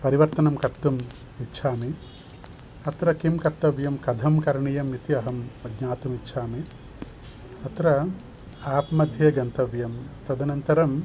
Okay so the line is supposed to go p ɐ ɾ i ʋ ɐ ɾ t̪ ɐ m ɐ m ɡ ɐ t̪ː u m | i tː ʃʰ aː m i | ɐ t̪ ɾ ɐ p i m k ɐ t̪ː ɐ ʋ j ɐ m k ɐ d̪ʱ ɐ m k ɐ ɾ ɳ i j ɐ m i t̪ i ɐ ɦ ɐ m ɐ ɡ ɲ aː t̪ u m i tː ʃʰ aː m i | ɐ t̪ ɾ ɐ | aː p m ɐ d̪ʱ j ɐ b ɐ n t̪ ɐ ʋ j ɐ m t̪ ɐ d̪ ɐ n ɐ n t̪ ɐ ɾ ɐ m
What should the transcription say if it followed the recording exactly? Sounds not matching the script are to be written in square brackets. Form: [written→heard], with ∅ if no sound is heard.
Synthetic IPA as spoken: p ɐ ɾ i ʋ ɐ ɾ t̪ ɐ [m→n] ɐ m [ɡ→k] ɐ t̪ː u m | i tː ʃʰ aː m i | ɐ t̪ ɾ ɐ [p→k] i m k ɐ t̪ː ɐ ʋ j ɐ m k ɐ d̪ʱ ɐ m k ɐ ɾ ɳ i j ɐ m i t̪ i ɐ ɦ ɐ m ɐ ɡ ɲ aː t̪ u m i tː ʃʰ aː m i | ɐ t̪ ɾ ɐ | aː p m ɐ d̪ʱ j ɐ [b→ɡ] ɐ n t̪ ɐ ʋ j ɐ m t̪ ɐ d̪ ɐ n ɐ n t̪ ɐ ɾ ɐ m